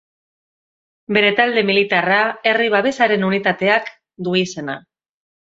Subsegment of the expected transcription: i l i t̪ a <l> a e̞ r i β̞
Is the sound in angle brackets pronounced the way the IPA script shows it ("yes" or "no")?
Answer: no